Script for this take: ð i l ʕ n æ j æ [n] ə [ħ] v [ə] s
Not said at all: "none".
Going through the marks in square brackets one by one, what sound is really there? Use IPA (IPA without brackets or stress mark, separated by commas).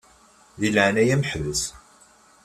m, ħ, ə